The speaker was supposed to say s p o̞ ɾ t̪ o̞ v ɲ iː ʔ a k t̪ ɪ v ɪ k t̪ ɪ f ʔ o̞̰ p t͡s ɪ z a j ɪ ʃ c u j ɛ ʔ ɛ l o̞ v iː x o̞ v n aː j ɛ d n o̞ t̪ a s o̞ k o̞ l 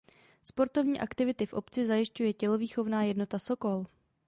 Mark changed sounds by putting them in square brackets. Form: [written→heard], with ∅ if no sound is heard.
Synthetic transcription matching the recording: s p o̞ ɾ t̪ o̞ v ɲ iː ʔ a k t̪ ɪ v ɪ [k→∅] t̪ ɪ f ʔ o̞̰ p t͡s ɪ z a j ɪ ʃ c u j ɛ [ʔ→c] ɛ l o̞ v iː x o̞ v n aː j ɛ d n o̞ t̪ a s o̞ k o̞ l